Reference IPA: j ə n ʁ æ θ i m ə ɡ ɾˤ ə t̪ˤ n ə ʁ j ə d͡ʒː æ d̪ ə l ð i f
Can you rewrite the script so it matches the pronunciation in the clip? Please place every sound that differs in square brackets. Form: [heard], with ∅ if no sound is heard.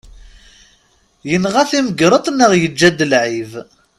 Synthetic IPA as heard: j ə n ʁ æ θ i m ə ɡ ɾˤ ə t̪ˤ n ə ʁ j ə d͡ʒː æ d̪ ə l [ʕ] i [v]